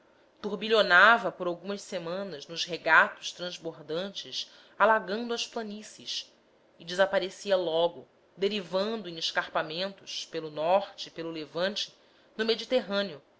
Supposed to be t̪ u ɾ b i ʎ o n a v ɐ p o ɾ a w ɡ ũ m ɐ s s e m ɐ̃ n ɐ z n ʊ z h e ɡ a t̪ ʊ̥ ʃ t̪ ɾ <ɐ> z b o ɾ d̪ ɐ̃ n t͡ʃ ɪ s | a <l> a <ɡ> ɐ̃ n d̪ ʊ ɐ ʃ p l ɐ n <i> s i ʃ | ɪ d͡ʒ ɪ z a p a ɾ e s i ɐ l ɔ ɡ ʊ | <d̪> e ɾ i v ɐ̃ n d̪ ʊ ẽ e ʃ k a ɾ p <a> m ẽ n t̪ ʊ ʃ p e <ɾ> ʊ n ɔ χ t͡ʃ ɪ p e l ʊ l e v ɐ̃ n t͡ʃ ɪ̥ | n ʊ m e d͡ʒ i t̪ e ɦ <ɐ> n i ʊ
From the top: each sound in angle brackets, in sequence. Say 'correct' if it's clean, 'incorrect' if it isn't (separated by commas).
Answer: incorrect, correct, correct, correct, correct, correct, incorrect, incorrect